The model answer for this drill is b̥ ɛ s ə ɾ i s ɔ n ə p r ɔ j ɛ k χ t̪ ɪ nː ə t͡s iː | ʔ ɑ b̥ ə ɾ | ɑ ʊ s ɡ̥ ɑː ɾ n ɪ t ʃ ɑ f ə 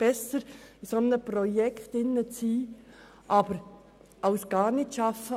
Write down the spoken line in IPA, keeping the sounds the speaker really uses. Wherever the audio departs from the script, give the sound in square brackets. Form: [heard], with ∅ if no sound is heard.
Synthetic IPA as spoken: b̥ ɛ s ə ɾ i s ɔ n ə p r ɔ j ɛ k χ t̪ ɪ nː ə t͡s iː | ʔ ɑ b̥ ə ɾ | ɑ ʊ s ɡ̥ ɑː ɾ n ɪ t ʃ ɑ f ə